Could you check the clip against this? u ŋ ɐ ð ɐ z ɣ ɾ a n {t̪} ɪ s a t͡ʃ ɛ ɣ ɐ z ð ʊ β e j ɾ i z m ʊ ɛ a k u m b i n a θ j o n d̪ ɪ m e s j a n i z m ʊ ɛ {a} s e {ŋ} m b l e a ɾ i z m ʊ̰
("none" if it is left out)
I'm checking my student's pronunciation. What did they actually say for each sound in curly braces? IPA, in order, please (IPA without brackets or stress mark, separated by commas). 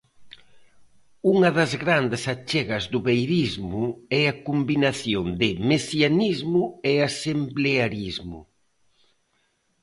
d̪, a, none